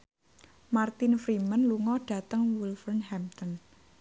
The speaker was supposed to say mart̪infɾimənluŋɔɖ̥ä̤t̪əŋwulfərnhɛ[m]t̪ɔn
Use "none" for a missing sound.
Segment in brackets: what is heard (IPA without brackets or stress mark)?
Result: m